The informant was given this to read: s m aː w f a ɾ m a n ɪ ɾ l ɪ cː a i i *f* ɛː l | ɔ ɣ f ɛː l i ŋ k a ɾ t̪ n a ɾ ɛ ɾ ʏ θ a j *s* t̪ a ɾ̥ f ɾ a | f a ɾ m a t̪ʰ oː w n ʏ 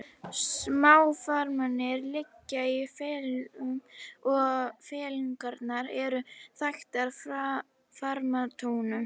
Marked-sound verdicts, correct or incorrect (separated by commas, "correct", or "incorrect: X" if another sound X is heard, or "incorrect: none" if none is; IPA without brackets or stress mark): correct, incorrect: x